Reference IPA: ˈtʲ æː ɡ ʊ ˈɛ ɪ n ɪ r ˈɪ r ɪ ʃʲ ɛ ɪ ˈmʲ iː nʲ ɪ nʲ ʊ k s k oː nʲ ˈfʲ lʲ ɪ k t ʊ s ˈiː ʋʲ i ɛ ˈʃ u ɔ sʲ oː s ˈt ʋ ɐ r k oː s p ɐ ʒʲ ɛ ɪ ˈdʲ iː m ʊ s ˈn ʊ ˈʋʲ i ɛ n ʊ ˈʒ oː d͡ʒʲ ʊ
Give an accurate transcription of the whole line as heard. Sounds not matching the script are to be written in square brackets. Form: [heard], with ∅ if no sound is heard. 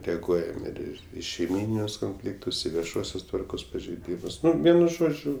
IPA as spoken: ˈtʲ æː ɡ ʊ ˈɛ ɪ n ɪ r ˈɪ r ɪ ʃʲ ɛ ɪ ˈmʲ iː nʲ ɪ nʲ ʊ [∅] s k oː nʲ ˈfʲ lʲ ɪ k t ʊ s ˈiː ʋʲ i ɛ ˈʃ u ɔ sʲ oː s ˈt ʋ ɐ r k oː s p ɐ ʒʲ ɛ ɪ ˈdʲ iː m ʊ s ˈn ʊ ˈʋʲ i ɛ n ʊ ˈʒ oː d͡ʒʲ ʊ